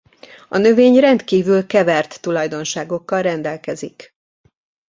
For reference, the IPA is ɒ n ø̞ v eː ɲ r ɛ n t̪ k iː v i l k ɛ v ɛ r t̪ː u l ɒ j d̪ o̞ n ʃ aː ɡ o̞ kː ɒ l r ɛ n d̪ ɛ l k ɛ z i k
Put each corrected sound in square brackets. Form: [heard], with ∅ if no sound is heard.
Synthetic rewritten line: ɒ n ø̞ v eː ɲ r ɛ n t̪ k iː v [y] l k ɛ v ɛ r t̪ː u l ɒ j d̪ o̞ n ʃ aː ɡ o̞ kː ɒ l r ɛ n d̪ ɛ l k ɛ z i k